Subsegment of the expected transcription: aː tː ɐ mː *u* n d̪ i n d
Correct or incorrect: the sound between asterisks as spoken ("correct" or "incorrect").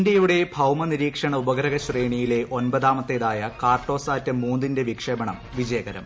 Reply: incorrect